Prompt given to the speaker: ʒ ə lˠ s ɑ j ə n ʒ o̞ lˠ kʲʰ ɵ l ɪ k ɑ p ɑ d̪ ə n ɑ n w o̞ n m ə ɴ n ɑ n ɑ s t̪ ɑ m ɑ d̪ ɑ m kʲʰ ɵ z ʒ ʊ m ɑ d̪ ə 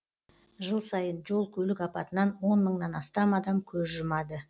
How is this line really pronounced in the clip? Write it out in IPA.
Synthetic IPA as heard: ʒ ə lˠ s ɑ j ə n ʒ o̞ lˠ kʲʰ ɵ l ɪ k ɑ p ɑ t̪ ə n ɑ n w o̞ n m ə ɴ n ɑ n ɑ s t̪ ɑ m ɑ d̪ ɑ m kʲʰ ɵ z ʒ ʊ m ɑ d̪ ə